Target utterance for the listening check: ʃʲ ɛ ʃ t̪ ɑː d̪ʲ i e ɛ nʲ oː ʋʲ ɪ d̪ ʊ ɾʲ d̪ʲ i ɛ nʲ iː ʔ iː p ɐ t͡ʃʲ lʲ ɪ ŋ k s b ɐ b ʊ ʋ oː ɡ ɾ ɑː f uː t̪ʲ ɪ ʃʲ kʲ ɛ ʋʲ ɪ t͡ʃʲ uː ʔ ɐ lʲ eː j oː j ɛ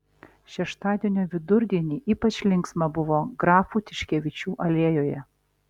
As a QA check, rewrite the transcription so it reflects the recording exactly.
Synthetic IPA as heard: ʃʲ ɛ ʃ t̪ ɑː d̪ʲ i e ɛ nʲ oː ʋʲ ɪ d̪ ʊ ɾʲ d̪ʲ i ɛ nʲ iː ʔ iː p ɐ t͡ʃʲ lʲ ɪ ŋ k s m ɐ b ʊ ʋ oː ɡ ɾ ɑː f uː t̪ʲ ɪ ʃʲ kʲ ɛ ʋʲ ɪ t͡ʃʲ uː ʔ ɐ lʲ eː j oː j ɛ